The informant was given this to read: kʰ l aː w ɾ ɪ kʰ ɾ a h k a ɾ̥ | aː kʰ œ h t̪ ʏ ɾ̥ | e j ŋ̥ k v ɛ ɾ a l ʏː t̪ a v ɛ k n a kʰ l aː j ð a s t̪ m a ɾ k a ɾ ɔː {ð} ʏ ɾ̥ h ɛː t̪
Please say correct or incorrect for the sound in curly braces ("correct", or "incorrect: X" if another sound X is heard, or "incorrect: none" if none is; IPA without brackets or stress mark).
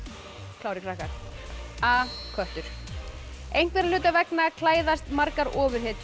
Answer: incorrect: v